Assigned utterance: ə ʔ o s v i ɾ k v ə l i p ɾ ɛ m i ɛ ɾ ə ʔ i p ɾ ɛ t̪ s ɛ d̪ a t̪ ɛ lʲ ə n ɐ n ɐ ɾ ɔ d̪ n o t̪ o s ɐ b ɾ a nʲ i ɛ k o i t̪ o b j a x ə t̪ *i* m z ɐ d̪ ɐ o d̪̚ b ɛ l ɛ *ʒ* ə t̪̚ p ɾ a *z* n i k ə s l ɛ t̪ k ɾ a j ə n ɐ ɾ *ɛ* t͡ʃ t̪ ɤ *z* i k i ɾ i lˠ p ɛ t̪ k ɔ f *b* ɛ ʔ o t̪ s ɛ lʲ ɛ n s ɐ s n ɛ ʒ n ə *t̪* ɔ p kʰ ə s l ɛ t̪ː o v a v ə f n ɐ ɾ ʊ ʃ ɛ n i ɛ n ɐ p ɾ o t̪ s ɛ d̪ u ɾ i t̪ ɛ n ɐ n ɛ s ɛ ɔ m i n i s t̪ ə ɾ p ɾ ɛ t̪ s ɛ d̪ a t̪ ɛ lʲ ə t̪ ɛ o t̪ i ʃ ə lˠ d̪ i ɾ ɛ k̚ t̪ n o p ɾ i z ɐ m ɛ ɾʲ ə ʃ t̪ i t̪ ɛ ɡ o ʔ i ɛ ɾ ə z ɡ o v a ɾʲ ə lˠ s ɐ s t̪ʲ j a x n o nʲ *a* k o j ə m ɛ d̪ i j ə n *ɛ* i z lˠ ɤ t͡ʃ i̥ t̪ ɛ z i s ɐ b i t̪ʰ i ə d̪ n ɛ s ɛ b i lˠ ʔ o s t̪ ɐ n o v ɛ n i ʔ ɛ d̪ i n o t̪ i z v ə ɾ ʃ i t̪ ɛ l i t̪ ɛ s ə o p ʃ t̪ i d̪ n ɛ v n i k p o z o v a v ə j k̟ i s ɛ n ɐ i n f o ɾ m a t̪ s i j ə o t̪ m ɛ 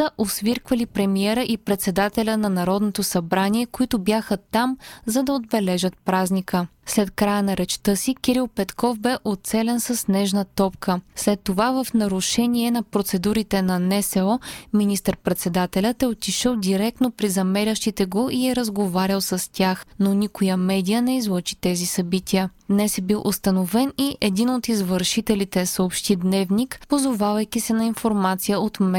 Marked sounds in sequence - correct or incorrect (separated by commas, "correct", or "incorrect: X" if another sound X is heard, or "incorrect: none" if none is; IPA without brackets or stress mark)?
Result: incorrect: a, correct, correct, correct, incorrect: s, correct, correct, incorrect: i, correct